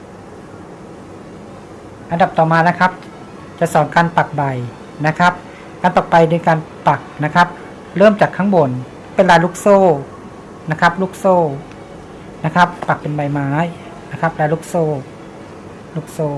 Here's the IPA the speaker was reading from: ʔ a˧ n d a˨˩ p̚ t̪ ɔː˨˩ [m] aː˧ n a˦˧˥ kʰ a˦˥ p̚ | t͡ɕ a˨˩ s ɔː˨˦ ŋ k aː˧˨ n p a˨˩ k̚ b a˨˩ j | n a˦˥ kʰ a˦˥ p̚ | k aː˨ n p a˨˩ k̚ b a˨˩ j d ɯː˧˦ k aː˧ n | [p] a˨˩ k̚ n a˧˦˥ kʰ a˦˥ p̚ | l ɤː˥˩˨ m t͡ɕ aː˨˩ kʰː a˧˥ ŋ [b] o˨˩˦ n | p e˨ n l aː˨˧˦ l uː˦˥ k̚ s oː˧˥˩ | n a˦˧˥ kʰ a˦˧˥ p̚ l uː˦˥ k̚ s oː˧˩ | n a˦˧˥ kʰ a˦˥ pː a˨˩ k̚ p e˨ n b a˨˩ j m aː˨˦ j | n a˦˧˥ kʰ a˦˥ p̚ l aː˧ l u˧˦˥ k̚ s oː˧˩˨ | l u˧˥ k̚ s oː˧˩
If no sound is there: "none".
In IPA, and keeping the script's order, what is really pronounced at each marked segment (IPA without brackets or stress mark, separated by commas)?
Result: m, p, b